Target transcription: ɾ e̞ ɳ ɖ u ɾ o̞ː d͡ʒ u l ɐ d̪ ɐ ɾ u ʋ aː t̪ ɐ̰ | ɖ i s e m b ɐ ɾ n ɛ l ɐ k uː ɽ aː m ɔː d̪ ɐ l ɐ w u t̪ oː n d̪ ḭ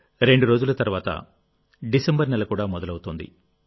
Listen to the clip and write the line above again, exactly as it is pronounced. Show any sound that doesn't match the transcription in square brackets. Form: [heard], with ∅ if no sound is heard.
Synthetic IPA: ɾ e̞ ɳ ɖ u ɾ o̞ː d͡ʒ u l ɐ [t̪] ɐ ɾ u ʋ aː t̪ ɐ̰ | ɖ i s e m b ɐ ɾ n ɛ l ɐ k uː ɽ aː m [ɔ] d̪ ɐ l ɐ w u t̪ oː n d̪ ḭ